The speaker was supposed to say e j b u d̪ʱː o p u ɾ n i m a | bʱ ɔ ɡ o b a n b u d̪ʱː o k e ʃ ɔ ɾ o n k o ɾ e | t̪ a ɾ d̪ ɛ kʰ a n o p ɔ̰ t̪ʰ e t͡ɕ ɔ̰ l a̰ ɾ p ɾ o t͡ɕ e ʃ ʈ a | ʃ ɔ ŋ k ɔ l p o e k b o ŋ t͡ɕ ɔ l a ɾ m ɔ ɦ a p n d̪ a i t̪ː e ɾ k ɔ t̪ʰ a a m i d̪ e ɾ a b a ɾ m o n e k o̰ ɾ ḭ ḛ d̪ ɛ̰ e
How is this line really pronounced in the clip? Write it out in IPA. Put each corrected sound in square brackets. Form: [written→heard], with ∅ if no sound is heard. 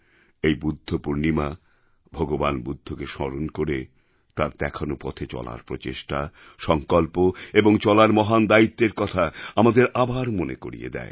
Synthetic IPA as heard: e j b u d̪ʱː o p u ɾ n i m a | bʱ ɔ ɡ o b a n b u d̪ʱː o k e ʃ ɔ ɾ o n k o ɾ e | t̪ a ɾ d̪ ɛ kʰ a n o p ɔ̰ t̪ʰ e t͡ɕ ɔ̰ l a̰ ɾ p ɾ o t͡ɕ e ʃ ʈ a | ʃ ɔ ŋ k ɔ l p o e [k→∅] b o ŋ t͡ɕ ɔ l a ɾ m ɔ ɦ a [p→∅] n d̪ a i t̪ː e ɾ k ɔ t̪ʰ a a m [i→a] d̪ e ɾ a b a ɾ m o n e k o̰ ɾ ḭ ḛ d̪ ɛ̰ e